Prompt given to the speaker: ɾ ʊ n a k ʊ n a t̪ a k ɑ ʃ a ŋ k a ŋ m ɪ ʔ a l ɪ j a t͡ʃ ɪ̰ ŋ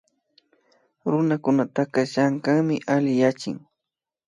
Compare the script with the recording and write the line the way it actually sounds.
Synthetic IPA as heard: ɾ ʊ n a k ʊ n a t̪ a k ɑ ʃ a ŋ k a ŋ m ɪ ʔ a l ɪ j a t͡ʃ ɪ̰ ŋ